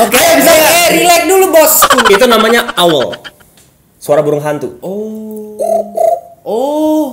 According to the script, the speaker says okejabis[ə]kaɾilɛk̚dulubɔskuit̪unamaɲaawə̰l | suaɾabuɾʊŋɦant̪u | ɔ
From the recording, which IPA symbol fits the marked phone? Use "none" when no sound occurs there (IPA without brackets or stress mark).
a